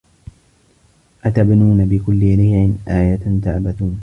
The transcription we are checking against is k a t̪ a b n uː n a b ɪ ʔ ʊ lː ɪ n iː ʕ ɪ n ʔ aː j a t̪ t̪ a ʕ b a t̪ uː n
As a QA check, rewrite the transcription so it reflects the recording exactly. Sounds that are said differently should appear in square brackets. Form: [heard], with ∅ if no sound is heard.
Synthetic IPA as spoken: [ʔ] a t̪ a b n uː n a b ɪ [k] ʊ lː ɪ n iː ʕ ɪ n ʔ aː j a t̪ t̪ a ʕ b a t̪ uː n